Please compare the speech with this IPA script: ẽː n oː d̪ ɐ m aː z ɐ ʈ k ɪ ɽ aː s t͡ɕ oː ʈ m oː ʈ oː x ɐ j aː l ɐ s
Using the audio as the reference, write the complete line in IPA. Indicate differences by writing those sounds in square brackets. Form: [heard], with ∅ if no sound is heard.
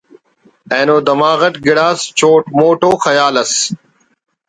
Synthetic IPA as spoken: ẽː n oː d̪ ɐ m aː [ɣ] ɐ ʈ [ɡ] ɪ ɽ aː s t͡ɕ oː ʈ m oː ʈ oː x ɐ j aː l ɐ s